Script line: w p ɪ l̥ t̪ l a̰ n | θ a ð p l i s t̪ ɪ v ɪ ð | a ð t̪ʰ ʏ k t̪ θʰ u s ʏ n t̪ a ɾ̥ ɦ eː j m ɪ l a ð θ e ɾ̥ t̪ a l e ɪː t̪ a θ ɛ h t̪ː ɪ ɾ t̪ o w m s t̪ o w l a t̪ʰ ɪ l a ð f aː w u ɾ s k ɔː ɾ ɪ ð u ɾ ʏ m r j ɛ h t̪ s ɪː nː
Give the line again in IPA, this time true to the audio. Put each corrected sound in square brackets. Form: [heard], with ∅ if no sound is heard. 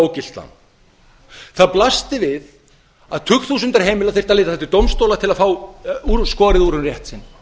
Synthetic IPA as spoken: w [c] ɪ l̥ t̪ l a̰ n | θ a ð p l [a] s t̪ ɪ v ɪ ð | a ð t̪ʰ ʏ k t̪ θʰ u s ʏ n t̪ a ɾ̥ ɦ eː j m ɪ l a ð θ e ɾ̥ t̪ a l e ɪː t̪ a θ ɛ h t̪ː ɪ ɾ t̪ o w m s t̪ o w l a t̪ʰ ɪ l a ð f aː w u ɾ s k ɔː ɾ ɪ ð u ɾ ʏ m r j ɛ h t̪ s [ɪ] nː